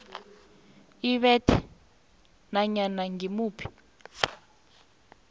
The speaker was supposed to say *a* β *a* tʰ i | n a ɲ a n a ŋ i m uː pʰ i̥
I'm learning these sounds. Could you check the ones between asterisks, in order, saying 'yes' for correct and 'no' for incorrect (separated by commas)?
no, no